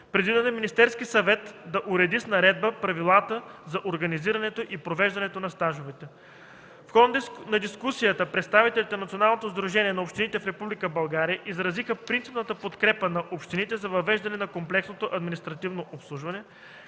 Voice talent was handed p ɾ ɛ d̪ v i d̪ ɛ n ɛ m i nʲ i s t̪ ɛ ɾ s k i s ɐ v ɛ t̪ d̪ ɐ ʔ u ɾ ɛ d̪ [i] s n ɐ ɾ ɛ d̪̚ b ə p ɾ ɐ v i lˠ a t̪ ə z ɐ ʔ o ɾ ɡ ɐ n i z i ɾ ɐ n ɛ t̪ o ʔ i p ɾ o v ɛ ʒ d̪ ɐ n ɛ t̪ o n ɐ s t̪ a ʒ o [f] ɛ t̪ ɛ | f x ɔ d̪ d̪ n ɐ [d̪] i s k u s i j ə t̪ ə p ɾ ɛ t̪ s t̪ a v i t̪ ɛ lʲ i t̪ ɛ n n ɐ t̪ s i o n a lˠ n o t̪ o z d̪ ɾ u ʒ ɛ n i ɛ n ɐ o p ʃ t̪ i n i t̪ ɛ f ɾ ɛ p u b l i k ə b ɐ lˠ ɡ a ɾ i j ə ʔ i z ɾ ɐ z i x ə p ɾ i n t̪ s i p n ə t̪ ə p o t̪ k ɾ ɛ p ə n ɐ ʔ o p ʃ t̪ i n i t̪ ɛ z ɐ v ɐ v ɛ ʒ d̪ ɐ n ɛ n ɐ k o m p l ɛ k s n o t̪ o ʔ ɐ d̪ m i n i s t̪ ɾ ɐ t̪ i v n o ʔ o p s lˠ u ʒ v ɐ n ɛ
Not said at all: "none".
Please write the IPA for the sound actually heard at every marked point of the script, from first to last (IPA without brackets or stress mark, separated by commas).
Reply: i, v, d̪